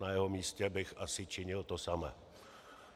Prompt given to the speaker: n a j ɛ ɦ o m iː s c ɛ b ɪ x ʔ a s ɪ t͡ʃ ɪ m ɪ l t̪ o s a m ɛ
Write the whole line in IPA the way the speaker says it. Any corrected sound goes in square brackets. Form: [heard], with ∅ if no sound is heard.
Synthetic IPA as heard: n a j ɛ ɦ o m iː s c ɛ b ɪ x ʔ a s ɪ t͡ʃ ɪ [ɲ] ɪ l t̪ o s a m ɛ